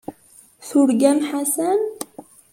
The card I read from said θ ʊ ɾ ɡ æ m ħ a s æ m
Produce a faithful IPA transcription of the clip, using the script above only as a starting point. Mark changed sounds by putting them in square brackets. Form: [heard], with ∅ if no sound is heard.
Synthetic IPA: θ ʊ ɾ ɡ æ m ħ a s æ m